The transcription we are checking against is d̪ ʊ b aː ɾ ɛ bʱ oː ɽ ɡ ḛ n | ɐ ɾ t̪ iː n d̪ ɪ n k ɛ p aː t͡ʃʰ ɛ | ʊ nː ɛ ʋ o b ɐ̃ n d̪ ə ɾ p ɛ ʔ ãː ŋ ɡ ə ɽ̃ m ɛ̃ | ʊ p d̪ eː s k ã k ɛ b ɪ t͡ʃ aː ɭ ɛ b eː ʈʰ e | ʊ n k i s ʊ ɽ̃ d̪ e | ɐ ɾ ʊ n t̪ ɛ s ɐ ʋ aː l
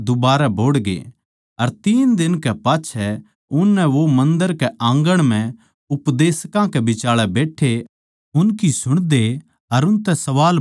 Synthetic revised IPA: d̪ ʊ b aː ɾ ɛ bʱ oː ɽ ɡ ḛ | ɐ ɾ t̪ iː n d̪ ɪ n k ɛ p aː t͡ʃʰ ɛ | ʊ nː ɛ ʋ o m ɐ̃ n d̪ ə ɾ k ɛ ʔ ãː ŋ ɡ ə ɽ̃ m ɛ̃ | ʊ p d̪ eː s k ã k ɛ b ɪ t͡ʃ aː ɭ ɛ b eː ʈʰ e | ʊ n k i s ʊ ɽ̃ d̪ e | ɐ ɾ ʊ n t̪ ɛ s ɐ ʋ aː l